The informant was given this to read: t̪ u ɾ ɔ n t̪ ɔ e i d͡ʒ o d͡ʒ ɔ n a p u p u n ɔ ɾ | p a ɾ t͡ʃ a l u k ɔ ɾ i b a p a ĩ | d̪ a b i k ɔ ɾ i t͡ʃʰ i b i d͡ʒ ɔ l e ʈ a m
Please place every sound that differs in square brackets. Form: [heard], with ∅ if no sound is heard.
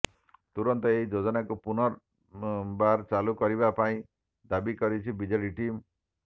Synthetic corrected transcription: t̪ u ɾ ɔ n t̪ ɔ e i d͡ʒ o d͡ʒ ɔ n a [k] u p u n ɔ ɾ | [b] a ɾ t͡ʃ a l u k ɔ ɾ i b a p a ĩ | d̪ a b i k ɔ ɾ i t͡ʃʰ i b i d͡ʒ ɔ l [i] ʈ [i] m